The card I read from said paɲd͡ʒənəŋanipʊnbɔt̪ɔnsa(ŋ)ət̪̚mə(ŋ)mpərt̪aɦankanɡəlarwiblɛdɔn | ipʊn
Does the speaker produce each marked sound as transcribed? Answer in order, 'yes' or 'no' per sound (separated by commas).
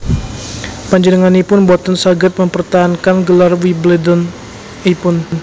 no, no